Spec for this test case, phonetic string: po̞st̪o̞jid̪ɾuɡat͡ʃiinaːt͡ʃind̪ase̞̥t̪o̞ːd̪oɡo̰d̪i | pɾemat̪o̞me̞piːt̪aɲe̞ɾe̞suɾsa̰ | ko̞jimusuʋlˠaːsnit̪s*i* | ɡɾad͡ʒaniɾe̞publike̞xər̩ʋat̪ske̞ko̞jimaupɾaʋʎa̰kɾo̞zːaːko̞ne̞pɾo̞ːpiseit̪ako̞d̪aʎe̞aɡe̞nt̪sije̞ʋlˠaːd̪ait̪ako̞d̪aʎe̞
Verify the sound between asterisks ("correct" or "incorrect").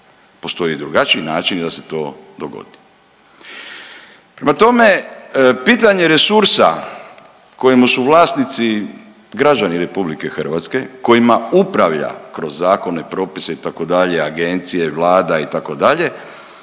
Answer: correct